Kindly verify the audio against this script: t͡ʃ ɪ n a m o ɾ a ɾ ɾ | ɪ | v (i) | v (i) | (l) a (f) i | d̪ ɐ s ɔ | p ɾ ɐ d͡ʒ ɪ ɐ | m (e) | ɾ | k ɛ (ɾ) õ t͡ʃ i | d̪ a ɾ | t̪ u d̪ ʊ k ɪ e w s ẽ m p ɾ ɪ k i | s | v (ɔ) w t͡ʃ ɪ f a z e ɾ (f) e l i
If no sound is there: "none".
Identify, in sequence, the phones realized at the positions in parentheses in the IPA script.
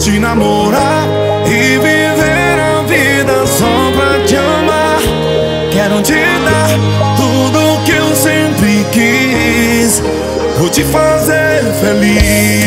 i, e, ɾ, v, a, ɾ, o, f

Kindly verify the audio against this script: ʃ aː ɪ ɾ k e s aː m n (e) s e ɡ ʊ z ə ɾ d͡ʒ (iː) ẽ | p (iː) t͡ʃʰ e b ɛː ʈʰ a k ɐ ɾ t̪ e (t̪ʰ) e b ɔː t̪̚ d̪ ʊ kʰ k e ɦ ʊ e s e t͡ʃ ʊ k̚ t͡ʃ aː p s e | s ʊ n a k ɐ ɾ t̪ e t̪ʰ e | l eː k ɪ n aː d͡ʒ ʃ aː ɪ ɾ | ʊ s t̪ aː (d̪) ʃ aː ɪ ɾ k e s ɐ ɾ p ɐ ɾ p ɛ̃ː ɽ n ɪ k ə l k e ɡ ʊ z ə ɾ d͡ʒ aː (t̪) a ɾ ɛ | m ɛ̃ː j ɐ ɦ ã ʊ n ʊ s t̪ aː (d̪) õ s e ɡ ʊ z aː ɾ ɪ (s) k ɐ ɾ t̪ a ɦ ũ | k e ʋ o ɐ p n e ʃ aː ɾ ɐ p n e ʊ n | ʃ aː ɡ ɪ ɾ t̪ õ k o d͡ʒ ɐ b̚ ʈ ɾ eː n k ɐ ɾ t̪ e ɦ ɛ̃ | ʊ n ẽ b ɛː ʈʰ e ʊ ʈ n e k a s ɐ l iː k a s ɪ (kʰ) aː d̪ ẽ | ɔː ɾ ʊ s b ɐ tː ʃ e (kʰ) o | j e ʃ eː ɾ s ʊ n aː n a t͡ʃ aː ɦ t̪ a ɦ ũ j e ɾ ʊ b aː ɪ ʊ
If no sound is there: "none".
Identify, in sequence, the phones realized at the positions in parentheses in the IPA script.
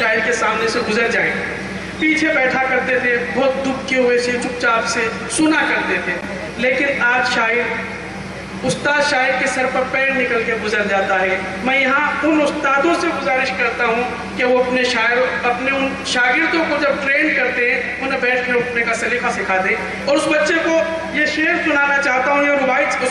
e, aː, iː, t̪ʰ, d̪, t̪, d̪, ʃ, kʰ, k

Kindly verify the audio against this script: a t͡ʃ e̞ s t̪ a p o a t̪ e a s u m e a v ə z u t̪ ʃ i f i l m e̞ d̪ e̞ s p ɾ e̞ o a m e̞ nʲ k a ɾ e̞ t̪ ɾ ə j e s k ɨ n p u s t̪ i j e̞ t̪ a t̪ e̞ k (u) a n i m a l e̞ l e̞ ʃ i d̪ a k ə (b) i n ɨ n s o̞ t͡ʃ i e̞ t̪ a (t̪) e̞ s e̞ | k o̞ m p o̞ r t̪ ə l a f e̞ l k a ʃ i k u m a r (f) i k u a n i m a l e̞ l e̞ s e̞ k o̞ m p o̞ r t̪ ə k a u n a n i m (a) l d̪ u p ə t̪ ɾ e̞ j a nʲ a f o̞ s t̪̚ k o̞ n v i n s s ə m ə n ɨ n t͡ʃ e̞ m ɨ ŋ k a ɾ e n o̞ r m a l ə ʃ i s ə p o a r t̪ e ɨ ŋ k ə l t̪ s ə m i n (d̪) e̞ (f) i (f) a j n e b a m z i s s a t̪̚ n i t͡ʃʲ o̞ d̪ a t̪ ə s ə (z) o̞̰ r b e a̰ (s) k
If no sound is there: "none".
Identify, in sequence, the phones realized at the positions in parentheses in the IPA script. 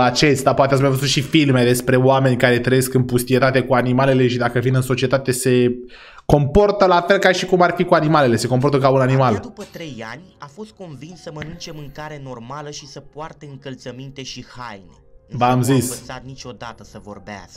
u, v, t̪, f, a, t̪, ʃ, h, v, s

